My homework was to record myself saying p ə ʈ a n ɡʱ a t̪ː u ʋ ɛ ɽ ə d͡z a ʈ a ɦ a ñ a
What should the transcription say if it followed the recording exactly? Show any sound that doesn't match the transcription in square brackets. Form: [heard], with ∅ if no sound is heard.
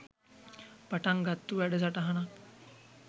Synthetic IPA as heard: p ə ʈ a [ŋ] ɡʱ a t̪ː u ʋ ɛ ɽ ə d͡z a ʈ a ɦ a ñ a